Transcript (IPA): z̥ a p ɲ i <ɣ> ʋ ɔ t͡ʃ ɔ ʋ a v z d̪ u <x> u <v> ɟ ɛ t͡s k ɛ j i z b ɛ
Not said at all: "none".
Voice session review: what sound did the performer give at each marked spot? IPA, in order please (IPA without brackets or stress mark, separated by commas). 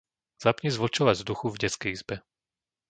z, x, v